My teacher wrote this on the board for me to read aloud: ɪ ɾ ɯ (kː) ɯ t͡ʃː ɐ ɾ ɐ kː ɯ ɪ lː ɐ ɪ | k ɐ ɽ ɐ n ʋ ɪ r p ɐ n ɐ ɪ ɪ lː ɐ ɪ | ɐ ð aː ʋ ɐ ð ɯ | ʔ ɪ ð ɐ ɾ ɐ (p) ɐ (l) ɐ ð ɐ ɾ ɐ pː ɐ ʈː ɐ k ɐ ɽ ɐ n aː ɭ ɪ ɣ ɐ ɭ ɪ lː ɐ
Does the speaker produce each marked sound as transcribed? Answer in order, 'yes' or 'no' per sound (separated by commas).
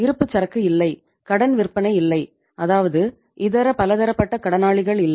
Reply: no, yes, yes